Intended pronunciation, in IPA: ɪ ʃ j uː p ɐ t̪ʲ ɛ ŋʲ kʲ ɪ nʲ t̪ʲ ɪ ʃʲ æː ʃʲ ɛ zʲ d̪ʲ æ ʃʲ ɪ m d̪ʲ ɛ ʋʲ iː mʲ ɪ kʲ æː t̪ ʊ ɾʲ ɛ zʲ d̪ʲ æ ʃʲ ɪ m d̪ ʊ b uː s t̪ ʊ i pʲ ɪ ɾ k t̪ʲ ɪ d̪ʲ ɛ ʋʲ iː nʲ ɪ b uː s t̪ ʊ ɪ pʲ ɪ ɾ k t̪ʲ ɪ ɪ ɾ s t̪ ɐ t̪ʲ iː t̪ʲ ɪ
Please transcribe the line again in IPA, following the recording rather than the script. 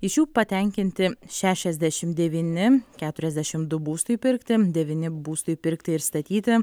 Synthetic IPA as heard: ɪ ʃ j uː p ɐ t̪ʲ ɛ ŋʲ kʲ ɪ nʲ t̪ʲ ɪ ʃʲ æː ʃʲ ɛ zʲ d̪ʲ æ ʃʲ ɪ m d̪ʲ ɛ ʋʲ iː nʲ ɪ kʲ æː t̪ ʊ ɾʲ ɛ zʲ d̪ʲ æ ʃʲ ɪ m d̪ ʊ b uː s t̪ ʊ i pʲ ɪ ɾ k t̪ʲ ɪ d̪ʲ ɛ ʋʲ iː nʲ ɪ b uː s t̪ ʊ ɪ pʲ ɪ ɾ k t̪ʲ ɪ ɪ ɾ s t̪ ɐ t̪ʲ iː t̪ʲ ɪ